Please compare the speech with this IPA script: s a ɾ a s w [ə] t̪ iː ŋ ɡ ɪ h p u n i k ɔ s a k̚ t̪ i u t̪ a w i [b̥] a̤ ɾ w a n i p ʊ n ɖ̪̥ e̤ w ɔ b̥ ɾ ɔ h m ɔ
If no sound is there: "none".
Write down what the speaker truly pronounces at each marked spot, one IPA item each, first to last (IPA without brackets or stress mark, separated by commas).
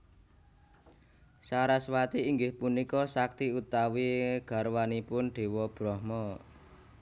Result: a, ɡ̥